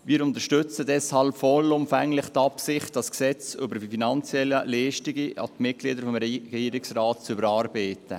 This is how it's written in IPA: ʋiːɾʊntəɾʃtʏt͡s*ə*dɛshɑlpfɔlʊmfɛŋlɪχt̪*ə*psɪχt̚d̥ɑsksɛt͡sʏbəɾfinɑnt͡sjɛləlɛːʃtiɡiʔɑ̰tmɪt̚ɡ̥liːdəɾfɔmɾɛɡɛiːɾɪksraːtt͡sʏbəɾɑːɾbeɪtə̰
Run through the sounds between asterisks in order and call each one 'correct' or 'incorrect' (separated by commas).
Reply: correct, incorrect